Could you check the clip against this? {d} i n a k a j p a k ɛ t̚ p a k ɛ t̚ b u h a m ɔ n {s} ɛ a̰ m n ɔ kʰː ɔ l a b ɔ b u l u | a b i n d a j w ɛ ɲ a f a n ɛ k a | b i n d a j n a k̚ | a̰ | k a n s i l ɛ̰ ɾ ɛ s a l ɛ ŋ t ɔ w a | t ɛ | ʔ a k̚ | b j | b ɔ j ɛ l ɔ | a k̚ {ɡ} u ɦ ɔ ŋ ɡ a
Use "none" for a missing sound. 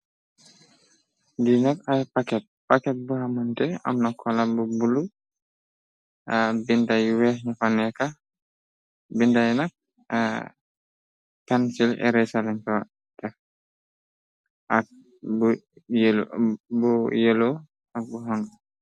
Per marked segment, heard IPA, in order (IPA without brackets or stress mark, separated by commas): d, t, b